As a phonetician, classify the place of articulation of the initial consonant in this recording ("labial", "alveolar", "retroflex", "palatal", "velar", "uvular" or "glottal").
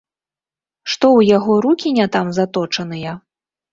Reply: retroflex